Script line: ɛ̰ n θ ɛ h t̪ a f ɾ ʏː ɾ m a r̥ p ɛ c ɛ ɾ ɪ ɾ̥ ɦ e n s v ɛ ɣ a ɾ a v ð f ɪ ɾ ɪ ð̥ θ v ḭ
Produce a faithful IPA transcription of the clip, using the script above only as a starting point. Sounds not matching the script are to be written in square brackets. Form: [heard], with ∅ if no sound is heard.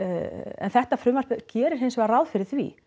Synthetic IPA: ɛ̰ n θ ɛ h t̪ a f ɾ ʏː [∅] m a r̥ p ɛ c [ɛː] ɾ ɪ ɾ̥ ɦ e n s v ɛ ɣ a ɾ a [w] ð f ɪ ɾ ɪ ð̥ θ v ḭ